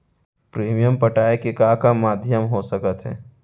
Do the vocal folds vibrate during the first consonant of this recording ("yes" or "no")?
no